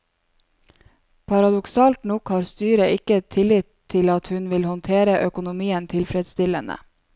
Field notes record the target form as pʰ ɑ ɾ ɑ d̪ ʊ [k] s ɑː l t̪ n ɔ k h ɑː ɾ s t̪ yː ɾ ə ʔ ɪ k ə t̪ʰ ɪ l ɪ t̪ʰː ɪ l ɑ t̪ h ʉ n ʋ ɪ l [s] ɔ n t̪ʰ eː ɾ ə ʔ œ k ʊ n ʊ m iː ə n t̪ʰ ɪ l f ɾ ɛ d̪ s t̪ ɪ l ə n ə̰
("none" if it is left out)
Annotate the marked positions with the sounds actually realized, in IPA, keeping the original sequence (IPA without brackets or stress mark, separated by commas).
k, h